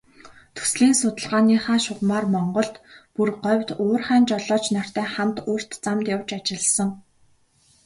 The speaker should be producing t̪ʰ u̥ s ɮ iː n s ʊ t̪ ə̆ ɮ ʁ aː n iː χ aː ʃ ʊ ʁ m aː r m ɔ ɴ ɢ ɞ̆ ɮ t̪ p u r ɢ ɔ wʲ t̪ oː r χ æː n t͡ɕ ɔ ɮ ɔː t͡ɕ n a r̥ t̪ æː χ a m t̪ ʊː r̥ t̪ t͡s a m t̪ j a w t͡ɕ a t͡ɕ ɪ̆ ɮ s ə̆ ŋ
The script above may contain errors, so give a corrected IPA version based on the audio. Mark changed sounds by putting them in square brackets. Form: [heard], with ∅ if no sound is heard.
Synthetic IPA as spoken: t̪ʰ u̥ s ɮ iː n s ʊ t̪ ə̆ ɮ ʁ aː n iː χ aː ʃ ʊ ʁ m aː r m ɔ ɴ ɢ ɞ̆ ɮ t̪ p u r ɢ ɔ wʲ t̪ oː r χ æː n t͡ɕ ɔ ɮ ɔː t͡ɕ n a r̥ t̪ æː χ a m t̪ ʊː r̥ t̪ t͡s a m t̪ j a w t͡ɕ a t͡ɕ ɪ̆ ɮ s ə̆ ŋ